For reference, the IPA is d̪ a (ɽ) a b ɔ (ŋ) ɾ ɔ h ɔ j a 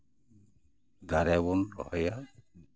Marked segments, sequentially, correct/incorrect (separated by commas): incorrect, incorrect